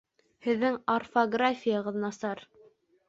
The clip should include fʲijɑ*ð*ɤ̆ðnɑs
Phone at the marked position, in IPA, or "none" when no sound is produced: ʁ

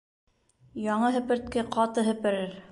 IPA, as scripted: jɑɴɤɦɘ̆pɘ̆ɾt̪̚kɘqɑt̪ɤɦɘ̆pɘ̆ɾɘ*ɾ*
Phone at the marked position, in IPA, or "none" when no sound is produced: ɾ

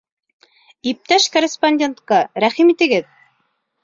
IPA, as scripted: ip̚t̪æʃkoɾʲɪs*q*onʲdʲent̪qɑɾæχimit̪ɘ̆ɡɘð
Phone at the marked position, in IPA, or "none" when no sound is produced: p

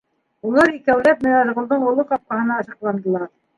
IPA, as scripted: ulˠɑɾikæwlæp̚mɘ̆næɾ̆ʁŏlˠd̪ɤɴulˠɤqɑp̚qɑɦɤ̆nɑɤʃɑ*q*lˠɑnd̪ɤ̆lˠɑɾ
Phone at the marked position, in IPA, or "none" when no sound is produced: q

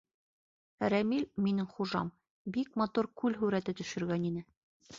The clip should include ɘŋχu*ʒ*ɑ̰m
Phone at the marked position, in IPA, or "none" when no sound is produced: ʒ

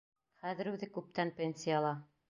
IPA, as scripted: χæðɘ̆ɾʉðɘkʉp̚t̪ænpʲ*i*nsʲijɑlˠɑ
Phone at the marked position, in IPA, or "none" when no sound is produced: e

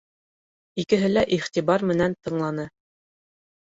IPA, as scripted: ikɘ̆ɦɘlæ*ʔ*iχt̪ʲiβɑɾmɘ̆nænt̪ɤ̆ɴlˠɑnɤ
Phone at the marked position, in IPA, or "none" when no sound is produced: ʔ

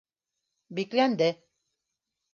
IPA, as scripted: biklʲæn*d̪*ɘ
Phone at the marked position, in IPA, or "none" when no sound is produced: d̪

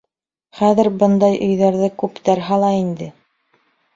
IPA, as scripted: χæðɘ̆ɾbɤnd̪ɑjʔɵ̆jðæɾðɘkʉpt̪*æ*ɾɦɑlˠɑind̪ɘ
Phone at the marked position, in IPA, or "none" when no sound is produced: æ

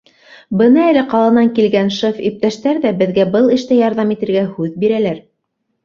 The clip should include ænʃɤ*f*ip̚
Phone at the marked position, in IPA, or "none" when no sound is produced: f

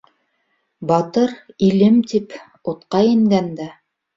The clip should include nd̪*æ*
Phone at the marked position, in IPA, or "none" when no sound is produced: æ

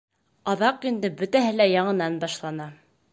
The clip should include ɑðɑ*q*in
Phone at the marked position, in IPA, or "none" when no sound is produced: q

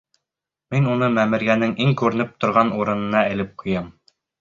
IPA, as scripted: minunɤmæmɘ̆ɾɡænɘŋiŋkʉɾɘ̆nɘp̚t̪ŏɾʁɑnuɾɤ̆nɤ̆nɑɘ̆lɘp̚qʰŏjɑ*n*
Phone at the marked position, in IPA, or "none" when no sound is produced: m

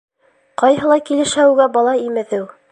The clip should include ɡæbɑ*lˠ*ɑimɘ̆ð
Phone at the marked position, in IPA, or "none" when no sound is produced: lˠ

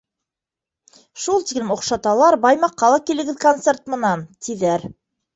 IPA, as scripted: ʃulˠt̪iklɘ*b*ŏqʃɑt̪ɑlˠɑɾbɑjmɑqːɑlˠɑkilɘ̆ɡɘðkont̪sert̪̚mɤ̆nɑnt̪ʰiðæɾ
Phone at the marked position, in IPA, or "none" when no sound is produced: m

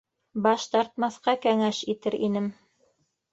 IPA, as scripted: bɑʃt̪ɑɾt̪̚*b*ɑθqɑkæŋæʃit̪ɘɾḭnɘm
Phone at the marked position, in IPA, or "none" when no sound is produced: m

